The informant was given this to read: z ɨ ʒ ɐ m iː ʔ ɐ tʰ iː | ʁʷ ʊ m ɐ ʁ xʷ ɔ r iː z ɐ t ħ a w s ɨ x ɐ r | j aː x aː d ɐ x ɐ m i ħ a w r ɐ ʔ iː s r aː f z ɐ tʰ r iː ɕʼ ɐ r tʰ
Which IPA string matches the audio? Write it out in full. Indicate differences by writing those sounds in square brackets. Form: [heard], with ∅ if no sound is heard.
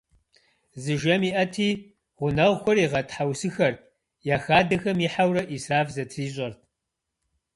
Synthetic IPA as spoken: z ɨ ʒ ɐ m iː ʔ ɐ tʰ iː | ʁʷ ʊ [n] ɐ ʁ xʷ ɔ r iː [ʁ] ɐ t ħ a w s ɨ x ɐ r | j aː x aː d ɐ x ɐ m i ħ a w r ɐ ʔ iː s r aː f z ɐ tʰ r iː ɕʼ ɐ r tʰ